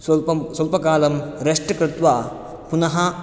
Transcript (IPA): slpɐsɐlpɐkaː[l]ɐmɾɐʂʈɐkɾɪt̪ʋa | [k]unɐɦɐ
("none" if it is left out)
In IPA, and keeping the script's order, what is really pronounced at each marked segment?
l, p

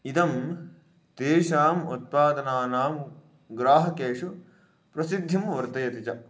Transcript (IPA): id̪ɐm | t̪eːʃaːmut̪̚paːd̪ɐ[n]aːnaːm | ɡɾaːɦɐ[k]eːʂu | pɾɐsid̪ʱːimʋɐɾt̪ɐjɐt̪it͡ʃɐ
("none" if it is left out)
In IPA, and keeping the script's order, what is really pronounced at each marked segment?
n, k

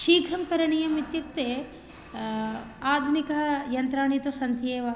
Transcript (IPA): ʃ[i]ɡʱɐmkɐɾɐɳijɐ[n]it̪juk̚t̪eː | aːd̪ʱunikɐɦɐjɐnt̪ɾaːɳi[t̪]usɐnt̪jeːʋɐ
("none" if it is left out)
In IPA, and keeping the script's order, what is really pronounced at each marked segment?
iː, m, t̪

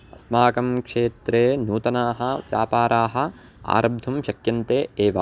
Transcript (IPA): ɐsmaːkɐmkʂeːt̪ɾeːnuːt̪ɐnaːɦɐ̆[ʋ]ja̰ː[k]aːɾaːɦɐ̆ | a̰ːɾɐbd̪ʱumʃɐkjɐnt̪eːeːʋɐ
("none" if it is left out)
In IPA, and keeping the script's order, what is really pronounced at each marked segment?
ʋ, p

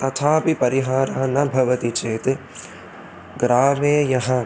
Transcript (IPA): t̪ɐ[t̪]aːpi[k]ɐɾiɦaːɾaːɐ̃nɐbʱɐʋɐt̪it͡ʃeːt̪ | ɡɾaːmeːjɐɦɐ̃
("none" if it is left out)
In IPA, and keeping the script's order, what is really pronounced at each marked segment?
t̪ʰ, p

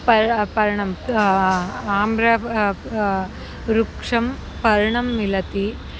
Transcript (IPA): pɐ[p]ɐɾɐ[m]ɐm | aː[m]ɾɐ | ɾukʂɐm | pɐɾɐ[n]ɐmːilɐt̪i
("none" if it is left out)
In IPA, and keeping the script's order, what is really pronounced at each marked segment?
p, ɳ, m, ɳ

